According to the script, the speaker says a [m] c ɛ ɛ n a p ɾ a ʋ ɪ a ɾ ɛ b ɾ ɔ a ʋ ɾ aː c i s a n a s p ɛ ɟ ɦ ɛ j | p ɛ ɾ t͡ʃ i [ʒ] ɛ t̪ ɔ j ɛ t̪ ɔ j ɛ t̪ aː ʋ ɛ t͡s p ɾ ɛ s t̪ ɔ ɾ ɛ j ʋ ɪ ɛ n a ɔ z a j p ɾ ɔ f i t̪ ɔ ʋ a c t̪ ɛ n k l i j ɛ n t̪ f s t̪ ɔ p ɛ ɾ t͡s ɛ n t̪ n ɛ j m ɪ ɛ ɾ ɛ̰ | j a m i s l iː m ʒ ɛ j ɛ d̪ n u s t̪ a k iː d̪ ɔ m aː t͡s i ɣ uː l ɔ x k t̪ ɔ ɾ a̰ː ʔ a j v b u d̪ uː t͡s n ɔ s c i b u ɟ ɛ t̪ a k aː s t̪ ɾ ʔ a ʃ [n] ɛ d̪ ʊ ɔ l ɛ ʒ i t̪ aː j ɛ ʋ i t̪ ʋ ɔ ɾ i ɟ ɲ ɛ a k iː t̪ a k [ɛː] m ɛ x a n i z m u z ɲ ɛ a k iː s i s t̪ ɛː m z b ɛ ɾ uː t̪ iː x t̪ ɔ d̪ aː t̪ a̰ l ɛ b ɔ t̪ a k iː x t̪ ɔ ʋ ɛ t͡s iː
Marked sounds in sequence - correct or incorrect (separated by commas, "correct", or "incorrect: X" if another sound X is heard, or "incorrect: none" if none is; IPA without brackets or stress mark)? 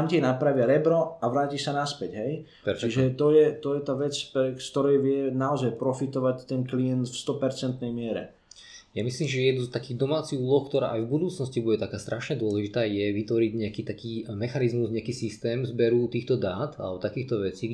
correct, correct, incorrect: ɲ, incorrect: iː